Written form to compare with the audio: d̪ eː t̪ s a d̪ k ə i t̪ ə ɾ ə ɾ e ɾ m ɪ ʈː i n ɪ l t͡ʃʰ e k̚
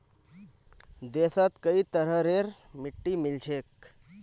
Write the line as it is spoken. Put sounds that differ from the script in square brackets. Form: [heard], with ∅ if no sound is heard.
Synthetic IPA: d̪ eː [∅] s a [t̪] k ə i t̪ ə ɾ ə ɾ e ɾ m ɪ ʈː i [m] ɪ l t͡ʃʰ e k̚